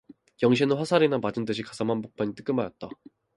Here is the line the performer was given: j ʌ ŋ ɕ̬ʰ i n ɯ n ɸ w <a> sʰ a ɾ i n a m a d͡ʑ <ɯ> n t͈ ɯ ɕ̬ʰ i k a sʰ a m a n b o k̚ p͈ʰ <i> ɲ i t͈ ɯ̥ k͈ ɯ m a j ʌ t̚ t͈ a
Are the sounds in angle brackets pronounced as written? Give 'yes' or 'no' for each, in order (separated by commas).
yes, yes, no